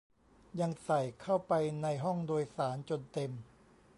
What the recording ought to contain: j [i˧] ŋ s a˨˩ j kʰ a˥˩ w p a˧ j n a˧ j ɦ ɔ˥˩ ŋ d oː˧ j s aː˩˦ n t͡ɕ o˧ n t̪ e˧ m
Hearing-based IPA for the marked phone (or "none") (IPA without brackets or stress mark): a˧